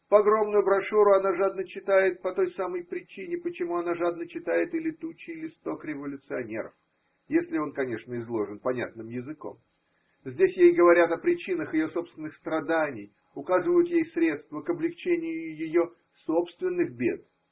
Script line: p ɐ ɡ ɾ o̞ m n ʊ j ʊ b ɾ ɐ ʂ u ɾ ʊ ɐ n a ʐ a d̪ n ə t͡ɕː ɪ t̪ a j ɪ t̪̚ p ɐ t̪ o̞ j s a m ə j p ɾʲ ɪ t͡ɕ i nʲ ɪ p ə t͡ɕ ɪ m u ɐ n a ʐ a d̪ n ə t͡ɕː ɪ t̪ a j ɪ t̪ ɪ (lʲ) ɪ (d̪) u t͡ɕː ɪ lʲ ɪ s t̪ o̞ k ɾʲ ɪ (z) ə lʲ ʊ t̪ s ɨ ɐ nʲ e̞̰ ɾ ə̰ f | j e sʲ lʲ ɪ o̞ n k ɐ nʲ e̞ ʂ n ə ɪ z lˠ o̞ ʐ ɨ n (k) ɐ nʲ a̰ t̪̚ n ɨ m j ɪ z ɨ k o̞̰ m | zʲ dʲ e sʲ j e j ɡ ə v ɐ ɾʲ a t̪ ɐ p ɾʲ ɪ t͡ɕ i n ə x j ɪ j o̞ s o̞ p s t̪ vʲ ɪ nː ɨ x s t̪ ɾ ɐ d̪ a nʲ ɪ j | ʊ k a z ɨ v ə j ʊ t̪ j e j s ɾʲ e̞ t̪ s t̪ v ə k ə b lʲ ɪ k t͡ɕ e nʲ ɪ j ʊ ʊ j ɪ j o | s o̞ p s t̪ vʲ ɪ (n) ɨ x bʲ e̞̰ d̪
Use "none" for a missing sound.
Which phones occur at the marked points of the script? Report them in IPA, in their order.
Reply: lʲ, t̪, v, p, nː

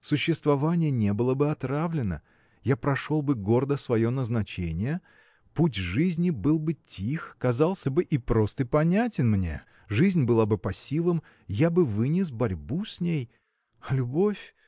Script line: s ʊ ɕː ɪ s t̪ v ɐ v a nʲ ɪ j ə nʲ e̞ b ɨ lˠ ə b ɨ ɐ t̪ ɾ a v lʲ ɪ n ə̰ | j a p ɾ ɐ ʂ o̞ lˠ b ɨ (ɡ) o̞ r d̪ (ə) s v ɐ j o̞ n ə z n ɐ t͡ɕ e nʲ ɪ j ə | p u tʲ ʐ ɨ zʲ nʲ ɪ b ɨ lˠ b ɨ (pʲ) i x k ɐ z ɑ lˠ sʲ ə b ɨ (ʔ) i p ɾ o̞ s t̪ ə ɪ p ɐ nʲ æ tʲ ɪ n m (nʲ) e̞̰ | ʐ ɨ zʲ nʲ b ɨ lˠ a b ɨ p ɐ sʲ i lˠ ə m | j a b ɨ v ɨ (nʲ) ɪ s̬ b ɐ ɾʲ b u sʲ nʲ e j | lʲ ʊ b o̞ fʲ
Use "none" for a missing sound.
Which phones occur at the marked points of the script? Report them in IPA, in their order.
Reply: ɡ, ə, tʲ, ʔ, nʲ, nʲ

